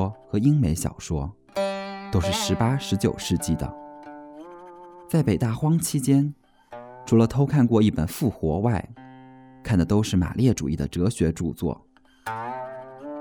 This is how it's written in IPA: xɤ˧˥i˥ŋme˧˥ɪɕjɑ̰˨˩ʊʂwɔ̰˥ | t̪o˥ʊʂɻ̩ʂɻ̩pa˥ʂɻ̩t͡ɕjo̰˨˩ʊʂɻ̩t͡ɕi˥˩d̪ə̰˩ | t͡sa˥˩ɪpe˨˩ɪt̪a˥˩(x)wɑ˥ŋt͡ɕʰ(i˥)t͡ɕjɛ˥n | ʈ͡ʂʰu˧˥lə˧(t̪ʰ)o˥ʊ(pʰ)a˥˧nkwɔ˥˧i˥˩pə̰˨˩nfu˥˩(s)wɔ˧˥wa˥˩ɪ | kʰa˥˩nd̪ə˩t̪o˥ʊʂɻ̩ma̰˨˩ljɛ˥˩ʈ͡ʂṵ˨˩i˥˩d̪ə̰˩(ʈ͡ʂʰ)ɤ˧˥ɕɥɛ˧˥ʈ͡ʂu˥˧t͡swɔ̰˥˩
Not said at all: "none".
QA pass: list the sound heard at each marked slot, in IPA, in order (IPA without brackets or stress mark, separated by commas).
x, i˥, t̪ʰ, kʰ, x, ʈ͡ʂ